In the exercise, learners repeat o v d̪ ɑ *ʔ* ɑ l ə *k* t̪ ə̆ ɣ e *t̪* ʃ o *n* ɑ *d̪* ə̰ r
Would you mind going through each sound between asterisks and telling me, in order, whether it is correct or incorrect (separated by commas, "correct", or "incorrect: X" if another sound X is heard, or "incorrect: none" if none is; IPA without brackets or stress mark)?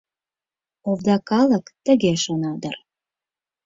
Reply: incorrect: k, correct, incorrect: none, correct, correct